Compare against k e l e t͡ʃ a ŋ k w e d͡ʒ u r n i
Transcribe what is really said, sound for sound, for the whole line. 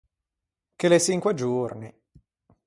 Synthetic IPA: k e l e t͡ʃ i ŋ k w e d͡ʒ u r n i